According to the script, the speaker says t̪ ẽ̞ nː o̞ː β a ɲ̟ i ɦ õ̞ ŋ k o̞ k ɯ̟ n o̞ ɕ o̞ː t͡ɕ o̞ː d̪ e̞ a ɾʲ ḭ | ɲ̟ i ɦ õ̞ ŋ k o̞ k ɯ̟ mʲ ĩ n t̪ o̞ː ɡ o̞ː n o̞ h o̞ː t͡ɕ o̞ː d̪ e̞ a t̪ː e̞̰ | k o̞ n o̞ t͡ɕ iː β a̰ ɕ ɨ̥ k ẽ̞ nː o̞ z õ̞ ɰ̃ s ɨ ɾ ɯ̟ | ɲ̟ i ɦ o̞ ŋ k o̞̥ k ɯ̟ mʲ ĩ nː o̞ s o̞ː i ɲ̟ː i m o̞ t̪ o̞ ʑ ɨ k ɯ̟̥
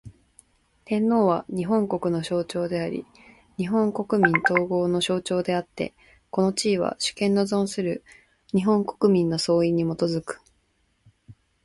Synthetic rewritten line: t̪ ẽ̞ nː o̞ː β a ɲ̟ i ɦ õ̞ ŋ k o̞ k ɯ̟ n o̞ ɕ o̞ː t͡ɕ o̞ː d̪ e̞ a ɾʲ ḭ | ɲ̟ i ɦ õ̞ ŋ k o̞ k ɯ̟ mʲ ĩ n t̪ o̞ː ɡ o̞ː n o̞ ɕ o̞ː t͡ɕ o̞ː d̪ e̞ a t̪ː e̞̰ | k o̞ n o̞ t͡ɕ iː β a̰ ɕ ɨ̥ k ẽ̞ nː o̞ z õ̞ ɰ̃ s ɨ ɾ ɯ̟ | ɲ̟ i ɦ õ̞ ŋ k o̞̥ k ɯ̟ mʲ ĩ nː o̞ s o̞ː i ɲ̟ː i m o̞ t̪ o̞ z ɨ k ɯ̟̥